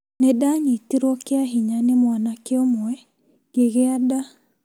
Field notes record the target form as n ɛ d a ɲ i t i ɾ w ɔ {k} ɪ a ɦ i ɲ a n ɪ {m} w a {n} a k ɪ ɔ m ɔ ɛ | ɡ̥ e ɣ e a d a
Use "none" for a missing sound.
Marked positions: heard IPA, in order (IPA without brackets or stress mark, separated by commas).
k, m, n